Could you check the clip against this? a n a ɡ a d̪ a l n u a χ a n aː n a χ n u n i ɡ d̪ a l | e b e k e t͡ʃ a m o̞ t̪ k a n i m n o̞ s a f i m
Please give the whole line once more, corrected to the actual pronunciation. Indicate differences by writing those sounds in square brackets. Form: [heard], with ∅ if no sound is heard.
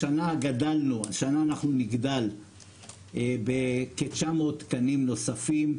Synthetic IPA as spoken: a n a ɡ a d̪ a l n u a [ʃ] a n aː n a χ n u n i ɡ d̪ a l | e b e k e t͡ʃ a m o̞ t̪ k a n i m n o̞ s a f i m